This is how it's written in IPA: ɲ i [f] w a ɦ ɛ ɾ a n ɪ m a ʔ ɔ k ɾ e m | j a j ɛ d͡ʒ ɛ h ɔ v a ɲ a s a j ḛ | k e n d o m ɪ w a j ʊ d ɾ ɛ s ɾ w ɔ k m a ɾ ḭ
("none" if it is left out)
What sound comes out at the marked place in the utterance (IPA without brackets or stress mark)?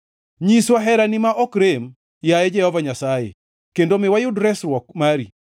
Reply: s